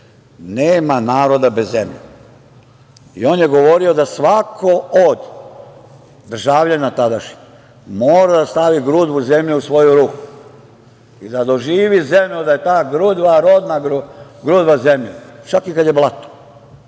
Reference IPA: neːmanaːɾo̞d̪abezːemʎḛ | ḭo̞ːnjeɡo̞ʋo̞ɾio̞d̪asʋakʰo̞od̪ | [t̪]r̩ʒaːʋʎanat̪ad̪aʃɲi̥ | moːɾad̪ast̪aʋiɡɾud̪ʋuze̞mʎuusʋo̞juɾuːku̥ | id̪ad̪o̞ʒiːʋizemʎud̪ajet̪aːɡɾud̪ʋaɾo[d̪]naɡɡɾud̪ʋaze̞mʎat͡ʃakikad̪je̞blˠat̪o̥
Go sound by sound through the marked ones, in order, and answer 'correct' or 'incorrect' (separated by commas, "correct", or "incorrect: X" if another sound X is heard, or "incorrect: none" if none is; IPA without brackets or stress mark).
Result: incorrect: d̪, correct